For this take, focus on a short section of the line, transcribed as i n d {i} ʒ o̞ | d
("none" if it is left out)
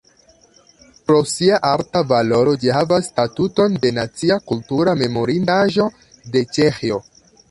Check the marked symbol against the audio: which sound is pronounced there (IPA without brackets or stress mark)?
a